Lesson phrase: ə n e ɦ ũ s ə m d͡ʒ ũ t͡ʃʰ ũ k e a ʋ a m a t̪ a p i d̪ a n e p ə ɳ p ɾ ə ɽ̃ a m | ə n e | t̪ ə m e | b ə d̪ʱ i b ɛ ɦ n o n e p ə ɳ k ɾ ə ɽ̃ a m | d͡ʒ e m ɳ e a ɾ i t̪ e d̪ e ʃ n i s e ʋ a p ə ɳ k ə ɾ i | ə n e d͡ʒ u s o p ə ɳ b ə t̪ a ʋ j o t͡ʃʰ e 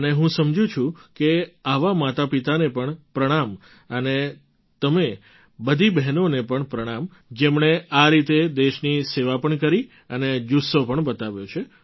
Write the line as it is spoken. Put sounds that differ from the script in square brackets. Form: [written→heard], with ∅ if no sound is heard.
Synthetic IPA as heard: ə n e ɦ ũ s ə m d͡ʒ ũ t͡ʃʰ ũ k e a ʋ a m a t̪ a p i [d̪→t̪] a n e p ə ɳ p ɾ ə ɽ̃ a m | ə n e | t̪ ə m e | b ə d̪ʱ i b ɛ ɦ n o n e p ə ɳ [k→p] ɾ ə ɽ̃ a m | d͡ʒ e m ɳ e a ɾ i t̪ e d̪ e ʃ n i s e ʋ a p ə ɳ k ə ɾ i | ə n e d͡ʒ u s o p ə ɳ b ə t̪ a ʋ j o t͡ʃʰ e